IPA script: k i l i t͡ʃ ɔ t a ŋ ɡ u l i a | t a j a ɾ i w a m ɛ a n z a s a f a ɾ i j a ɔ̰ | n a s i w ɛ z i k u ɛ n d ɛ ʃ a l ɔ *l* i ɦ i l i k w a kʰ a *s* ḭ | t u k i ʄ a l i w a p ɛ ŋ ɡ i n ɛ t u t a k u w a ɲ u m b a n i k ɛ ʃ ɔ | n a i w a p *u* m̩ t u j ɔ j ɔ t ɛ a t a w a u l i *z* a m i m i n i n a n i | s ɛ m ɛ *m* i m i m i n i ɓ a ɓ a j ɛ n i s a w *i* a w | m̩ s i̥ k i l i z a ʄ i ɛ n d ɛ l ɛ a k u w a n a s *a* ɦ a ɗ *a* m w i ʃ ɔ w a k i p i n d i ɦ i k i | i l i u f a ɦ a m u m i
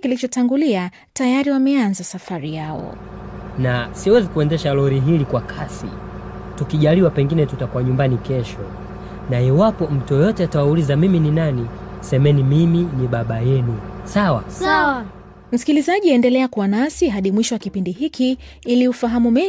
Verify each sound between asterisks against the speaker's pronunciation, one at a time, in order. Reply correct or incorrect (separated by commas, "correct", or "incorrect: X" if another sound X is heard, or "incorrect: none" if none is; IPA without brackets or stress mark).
incorrect: ɾ, correct, incorrect: ɔ, correct, incorrect: n, incorrect: a, incorrect: i, incorrect: i